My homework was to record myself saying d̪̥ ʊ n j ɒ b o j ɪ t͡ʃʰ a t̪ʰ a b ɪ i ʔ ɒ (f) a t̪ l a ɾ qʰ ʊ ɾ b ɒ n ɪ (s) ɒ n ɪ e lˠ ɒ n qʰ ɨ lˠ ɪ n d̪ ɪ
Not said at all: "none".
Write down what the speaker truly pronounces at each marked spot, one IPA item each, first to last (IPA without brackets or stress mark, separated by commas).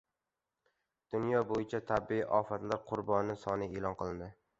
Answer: f, s